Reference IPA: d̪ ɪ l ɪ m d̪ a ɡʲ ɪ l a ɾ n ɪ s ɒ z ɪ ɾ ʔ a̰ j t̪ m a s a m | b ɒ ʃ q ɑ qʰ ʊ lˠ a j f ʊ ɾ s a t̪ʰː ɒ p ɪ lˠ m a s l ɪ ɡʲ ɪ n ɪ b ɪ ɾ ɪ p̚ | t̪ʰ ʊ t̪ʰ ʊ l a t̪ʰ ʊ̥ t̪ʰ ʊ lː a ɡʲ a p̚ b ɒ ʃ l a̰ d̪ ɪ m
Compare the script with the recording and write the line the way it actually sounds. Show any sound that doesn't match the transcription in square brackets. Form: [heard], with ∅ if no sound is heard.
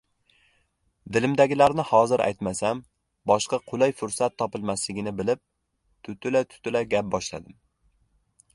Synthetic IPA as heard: d̪ ɪ l ɪ m d̪ a ɡʲ ɪ l a ɾ n ɪ [h] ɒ z ɪ ɾ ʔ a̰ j t̪ m a s a m | b ɒ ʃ q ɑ qʰ ʊ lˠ a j f ʊ ɾ s a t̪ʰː ɒ p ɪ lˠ m a s l ɪ ɡʲ ɪ n ɪ b ɪ [l] ɪ p̚ | t̪ʰ ʊ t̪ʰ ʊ l a t̪ʰ ʊ̥ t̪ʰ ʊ [l] a ɡʲ a p̚ b ɒ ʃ l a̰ d̪ ɪ m